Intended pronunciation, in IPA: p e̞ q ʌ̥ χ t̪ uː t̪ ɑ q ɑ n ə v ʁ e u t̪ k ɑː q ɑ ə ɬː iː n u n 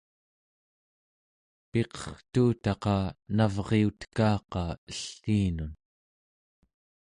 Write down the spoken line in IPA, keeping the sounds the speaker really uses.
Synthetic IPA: p e̞ q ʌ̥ χ t̪ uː t̪ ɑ q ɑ n a v ʁ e u t̪ k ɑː q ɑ ə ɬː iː n u n

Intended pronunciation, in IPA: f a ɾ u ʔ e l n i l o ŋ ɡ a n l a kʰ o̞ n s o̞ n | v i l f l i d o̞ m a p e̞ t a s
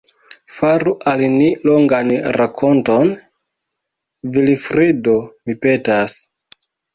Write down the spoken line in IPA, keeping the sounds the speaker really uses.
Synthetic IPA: f a ɾ u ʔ a l n i l o ŋ ɡ a n ɾ a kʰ o̞ n t o̞ n | v i l f ɾ i d o̞ m i p e̞ t a s

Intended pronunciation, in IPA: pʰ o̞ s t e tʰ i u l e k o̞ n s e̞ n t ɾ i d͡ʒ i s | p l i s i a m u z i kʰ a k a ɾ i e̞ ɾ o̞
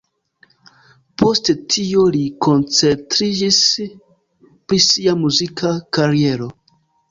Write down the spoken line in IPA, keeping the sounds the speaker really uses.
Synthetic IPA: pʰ o̞ s t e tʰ i o l i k o̞ n t͡s e̞ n t ɾ i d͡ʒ i s | p ɾ i s i a m u z i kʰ a k a ɾ i e̞ ɾ o̞

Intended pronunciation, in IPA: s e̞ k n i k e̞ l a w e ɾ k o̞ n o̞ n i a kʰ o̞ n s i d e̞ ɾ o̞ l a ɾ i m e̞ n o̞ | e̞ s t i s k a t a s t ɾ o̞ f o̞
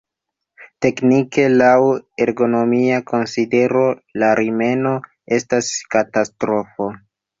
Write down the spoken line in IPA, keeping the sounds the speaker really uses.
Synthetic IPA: t e̞ k n i k e̞ l a w e ɾ ɡ o̞ n o̞ m i a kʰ o̞ n s i d e̞ ɾ o̞ l a ɾ i m e̞ n o̞ | e̞ s t a s k a t a s t ɾ o̞ f o̞

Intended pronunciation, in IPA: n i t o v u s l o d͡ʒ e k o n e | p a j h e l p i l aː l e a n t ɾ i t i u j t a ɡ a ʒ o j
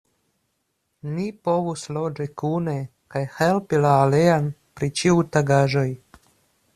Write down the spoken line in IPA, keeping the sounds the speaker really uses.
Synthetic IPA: n i p o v u s l o d͡ʒ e k u n e | k a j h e l p i l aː l e a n p ɾ i t͡ʃ i u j t a ɡ a ʒ o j

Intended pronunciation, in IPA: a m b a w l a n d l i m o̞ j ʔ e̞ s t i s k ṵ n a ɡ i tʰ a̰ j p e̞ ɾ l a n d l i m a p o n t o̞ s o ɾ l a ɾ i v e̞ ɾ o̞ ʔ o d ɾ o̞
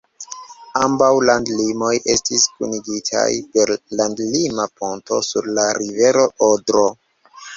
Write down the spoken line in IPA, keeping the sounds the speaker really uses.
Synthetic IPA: a m b a w l a n d l i m o̞ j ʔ e̞ s t i s k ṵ n i ɡ i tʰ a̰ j p e̞ ɾ l a n d l i m a p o n t o̞ s u ɾ l a ɾ i v e̞ ɾ o̞ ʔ o d ɾ o̞

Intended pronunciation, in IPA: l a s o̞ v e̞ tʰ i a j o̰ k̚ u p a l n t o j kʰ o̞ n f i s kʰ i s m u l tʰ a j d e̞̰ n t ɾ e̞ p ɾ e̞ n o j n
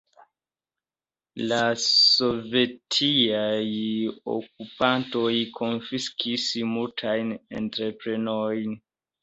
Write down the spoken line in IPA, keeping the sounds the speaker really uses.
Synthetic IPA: l a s o̞ v e̞ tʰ i a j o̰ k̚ u p a n t o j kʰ o̞ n f i s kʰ i s m u l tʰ a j n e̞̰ n t ɾ e̞ p ɾ e̞ n o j n

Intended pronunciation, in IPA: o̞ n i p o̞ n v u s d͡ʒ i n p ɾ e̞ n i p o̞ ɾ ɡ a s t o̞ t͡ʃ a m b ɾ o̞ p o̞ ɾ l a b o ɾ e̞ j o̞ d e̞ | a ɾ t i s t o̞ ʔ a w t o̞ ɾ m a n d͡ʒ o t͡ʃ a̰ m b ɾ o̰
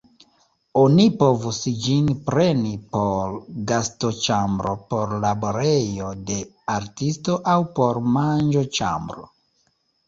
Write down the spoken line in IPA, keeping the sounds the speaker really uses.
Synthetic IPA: o̞ n i p o̞ v u s d͡ʒ i n p ɾ e̞ n i p o̞ ɾ ɡ a s t o̞ t͡ʃ a m b ɾ o̞ p o̞ ɾ l a b o ɾ e̞ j o̞ d e̞ | a ɾ t i s t o̞ ʔ a w p o̞ ɾ m a n d͡ʒ o t͡ʃ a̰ m b ɾ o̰

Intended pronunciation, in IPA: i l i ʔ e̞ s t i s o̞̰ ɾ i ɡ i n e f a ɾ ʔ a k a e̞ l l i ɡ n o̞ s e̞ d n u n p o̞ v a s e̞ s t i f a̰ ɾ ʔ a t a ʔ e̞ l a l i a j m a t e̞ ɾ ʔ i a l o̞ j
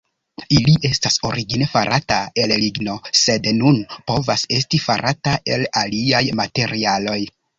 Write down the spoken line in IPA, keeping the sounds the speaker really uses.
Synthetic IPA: i l i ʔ e̞ s t a s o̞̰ ɾ i ɡ i n e f a ɾ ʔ a t a e̞ l l i ɡ n o̞ s e̞ d n u n p o̞ v a s e̞ s t i f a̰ ɾ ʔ a t a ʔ e̞ l a l i a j m a t e̞ ɾ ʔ i a l o̞ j

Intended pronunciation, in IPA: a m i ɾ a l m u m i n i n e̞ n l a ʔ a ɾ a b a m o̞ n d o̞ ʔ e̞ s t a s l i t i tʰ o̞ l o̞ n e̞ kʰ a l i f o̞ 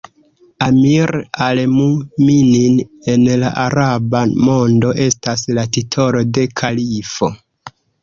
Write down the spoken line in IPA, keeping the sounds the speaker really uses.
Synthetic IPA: a m i ɾ a l m u m i n i n e̞ n l a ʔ a ɾ a b a m o̞ n d o̞ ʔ e̞ s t a s l a t i tʰ o̞ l o̞ d e̞ kʰ a l i f o̞

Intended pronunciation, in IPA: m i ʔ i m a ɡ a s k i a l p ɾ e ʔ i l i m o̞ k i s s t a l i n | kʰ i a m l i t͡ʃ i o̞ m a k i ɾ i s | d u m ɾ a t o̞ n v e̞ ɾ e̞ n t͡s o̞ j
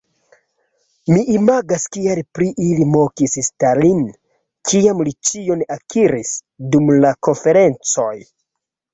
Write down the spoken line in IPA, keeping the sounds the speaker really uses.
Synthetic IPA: m i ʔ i m a ɡ a s k i a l p ɾ i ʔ i l i m o̞ k i s s t a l i n | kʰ i a m l i t͡ʃ i o̞ n a k i ɾ i s | d u m l a k o̞ n f e̞ ɾ e̞ n t͡s o̞ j

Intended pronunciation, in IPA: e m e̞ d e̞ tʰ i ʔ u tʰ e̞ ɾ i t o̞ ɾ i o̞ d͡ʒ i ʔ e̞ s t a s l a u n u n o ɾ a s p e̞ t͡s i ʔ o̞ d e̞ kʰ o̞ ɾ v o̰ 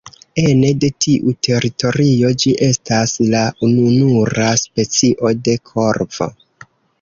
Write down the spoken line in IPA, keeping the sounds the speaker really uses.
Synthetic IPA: e n e̞ d e̞ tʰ i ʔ u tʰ e̞ ɾ i t o̞ ɾ i o̞ d͡ʒ i ʔ e̞ s t a s l a u n u n u ɾ a s p e̞ t͡s i ʔ o̞ d e̞ kʰ o̞ ɾ v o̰

